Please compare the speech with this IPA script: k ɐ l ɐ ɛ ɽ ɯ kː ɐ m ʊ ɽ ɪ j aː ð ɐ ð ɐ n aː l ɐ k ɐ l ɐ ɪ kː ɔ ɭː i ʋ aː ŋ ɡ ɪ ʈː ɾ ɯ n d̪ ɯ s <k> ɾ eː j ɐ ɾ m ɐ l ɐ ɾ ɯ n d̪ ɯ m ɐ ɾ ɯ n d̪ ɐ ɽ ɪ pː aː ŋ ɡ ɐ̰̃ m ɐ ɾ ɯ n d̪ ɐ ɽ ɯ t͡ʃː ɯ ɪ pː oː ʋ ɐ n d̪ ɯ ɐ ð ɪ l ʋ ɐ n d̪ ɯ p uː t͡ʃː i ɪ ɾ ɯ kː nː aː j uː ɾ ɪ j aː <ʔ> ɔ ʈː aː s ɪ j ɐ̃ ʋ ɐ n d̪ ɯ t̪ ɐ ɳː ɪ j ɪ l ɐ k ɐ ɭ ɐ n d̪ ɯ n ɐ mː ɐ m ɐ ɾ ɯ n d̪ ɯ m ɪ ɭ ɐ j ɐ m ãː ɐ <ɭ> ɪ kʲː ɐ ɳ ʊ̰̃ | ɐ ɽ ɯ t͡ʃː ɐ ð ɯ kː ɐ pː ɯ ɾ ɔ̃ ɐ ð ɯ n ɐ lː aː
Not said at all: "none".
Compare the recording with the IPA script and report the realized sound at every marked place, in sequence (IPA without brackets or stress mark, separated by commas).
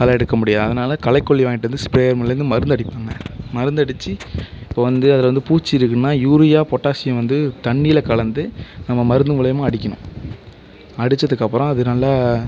p, p, ɽ